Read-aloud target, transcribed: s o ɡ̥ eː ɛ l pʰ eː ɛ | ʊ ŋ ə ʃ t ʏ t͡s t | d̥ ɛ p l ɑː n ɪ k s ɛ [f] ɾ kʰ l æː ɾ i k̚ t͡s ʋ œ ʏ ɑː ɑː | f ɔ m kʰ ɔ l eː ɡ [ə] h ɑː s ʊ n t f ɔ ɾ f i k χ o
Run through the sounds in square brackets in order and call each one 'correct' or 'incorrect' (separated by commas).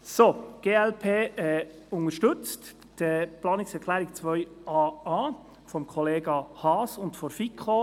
incorrect, incorrect